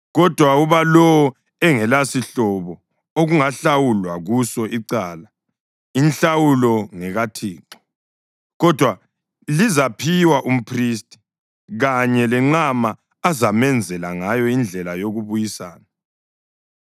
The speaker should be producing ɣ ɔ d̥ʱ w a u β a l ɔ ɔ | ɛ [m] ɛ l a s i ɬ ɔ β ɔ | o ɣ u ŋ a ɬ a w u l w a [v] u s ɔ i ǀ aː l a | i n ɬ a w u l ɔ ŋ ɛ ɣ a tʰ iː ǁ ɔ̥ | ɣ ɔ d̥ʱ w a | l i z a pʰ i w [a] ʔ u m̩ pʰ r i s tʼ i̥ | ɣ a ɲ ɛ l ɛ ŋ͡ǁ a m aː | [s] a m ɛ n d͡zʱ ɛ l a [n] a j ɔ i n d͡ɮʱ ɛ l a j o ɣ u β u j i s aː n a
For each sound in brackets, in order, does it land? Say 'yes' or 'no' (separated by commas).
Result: no, no, yes, no, no